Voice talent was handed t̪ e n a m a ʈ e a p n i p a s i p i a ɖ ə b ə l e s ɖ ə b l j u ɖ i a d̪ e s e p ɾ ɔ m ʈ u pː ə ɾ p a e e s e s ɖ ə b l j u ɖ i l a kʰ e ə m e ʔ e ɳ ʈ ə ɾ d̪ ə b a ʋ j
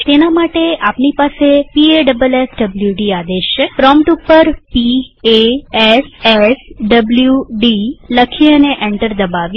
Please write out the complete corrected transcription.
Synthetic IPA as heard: t̪ e n a m a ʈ e a p n i p a s e p i e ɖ ə b ə l e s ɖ ə b l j u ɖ i a d̪ e ʃ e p ɾ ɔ m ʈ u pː ə ɾ p i e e s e s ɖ ə b l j u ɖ i l ə kʰ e ə n e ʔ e ɳ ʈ ə ɾ d̪ ə b a ʋ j